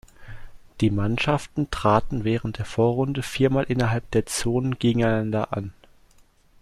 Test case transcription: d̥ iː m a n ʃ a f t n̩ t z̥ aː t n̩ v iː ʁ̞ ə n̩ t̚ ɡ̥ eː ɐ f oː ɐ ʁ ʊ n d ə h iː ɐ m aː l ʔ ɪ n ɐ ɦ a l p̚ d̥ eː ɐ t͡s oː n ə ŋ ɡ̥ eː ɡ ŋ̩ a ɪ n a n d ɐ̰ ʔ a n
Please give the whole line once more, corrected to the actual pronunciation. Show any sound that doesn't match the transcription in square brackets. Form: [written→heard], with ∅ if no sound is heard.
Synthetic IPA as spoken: d̥ iː m a n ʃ a f t n̩ t [z̥→ʁ̥] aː t n̩ v [iː→ɛː] ʁ̞ ə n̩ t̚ [ɡ̥→d̥] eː ɐ f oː ɐ ʁ ʊ n d ə [h→f] iː ɐ m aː l ʔ ɪ n ɐ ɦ a l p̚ d̥ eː ɐ t͡s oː n ə [ŋ→n] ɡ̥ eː ɡ ŋ̩ a ɪ n a n d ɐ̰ ʔ a n

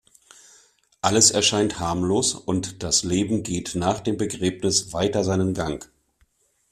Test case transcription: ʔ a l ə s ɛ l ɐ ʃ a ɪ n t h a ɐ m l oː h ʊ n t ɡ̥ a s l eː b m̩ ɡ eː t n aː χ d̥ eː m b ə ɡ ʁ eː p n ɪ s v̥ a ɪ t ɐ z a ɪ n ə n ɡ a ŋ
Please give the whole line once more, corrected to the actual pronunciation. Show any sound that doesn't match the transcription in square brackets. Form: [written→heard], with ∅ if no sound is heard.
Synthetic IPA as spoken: ʔ a l ə s ɛ [l→∅] ɐ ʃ a ɪ n t h a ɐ m l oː [h→s] ʊ n t [ɡ̥→d̥] a s l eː b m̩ ɡ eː t n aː χ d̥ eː m b ə ɡ ʁ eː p n ɪ s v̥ a ɪ t ɐ z a ɪ n ə n ɡ a ŋ

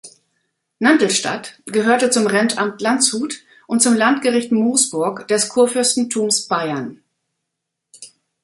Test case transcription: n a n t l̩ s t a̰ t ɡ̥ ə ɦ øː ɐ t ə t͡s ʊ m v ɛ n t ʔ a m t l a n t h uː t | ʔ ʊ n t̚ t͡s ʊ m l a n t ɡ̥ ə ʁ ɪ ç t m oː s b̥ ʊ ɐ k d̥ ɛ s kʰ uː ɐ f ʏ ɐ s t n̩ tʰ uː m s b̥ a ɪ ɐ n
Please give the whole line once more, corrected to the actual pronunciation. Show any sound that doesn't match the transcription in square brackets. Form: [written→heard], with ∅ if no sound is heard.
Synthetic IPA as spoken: n a n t l̩ [s→ʃ] t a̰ t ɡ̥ ə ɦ øː ɐ t ə t͡s ʊ m [v→ʁ] ɛ n t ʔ a m t l a n [t→t͡s] h uː t | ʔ ʊ n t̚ t͡s ʊ m l a n t ɡ̥ ə ʁ ɪ ç t m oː s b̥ ʊ ɐ k d̥ ɛ s kʰ uː ɐ f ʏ ɐ s t n̩ tʰ uː m s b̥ a ɪ ɐ n

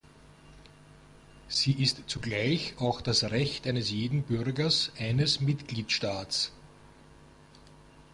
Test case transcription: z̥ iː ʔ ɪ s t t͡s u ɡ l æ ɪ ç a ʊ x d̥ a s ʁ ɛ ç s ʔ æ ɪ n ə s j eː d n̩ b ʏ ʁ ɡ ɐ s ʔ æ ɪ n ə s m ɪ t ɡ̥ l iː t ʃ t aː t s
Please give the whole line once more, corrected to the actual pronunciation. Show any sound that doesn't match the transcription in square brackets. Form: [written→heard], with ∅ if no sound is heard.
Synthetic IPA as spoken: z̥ iː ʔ ɪ s t t͡s u ɡ l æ ɪ ç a ʊ x d̥ a s ʁ ɛ ç [s→t] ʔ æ ɪ n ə s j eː d n̩ b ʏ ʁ ɡ ɐ s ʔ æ ɪ n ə s m ɪ t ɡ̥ l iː t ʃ t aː t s

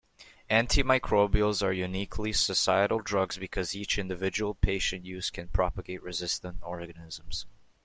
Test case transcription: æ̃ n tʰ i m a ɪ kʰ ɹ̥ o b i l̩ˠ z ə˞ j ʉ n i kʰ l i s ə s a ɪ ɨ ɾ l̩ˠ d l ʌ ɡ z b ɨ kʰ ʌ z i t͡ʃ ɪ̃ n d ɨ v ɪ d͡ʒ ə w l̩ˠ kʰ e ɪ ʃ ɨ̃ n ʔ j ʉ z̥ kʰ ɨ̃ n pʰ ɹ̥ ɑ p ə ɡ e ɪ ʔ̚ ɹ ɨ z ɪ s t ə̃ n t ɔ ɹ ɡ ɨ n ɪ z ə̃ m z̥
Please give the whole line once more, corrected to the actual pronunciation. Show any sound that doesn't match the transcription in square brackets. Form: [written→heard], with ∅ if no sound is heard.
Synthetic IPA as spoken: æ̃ n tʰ i m a ɪ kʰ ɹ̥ o b i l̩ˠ z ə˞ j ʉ n i kʰ l i s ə s a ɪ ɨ ɾ l̩ˠ d [l→ɹ] ʌ ɡ z b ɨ kʰ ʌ z i t͡ʃ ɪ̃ n d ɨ v ɪ d͡ʒ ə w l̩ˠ [kʰ→pʰ] e ɪ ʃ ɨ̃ n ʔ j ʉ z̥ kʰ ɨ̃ n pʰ ɹ̥ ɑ p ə ɡ e ɪ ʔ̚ ɹ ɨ z ɪ s t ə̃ n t ɔ ɹ ɡ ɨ n ɪ z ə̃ m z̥

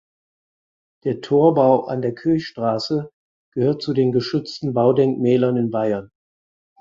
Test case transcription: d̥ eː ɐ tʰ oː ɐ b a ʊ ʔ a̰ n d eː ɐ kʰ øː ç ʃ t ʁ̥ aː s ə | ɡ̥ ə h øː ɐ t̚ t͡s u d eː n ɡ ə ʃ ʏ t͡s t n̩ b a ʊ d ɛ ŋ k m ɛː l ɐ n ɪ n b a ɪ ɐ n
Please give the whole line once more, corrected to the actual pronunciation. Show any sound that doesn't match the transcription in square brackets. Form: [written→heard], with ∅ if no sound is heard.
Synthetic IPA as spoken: d̥ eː ɐ tʰ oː ɐ b a ʊ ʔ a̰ n d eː ɐ kʰ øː ç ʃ t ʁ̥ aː s ə | ɡ̥ ə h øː ɐ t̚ t͡s u d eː n ɡ ə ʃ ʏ t͡s t n̩ b a ʊ d ɛ ŋ k m ɛː l ɐ n ɪ n b a ɪ ɐ n

